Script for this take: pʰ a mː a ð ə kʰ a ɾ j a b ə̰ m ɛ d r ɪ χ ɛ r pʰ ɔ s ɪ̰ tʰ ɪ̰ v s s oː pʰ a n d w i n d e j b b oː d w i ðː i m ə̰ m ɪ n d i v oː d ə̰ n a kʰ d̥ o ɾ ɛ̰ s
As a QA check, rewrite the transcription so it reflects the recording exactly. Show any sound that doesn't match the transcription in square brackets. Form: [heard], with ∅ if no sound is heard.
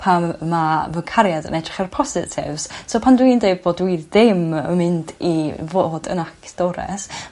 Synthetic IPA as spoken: pʰ a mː a [v] ə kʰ a ɾ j a [d] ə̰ [n] ɛ d r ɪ χ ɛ r pʰ ɔ s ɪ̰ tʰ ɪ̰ v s s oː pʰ a n d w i n d e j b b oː d w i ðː [ɪ] m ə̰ m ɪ n d i v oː d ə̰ n a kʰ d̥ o ɾ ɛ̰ s